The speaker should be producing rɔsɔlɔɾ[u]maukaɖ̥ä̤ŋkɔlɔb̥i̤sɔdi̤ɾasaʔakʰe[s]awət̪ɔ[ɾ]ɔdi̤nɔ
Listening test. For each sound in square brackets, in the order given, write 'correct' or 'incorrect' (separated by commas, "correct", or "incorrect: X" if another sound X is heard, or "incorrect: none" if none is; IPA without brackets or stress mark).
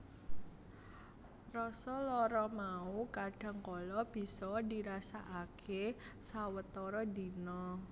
incorrect: ɔ, correct, correct